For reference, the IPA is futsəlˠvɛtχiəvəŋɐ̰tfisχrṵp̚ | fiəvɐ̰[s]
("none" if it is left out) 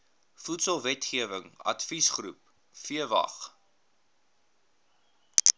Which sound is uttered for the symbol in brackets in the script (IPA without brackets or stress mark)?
χ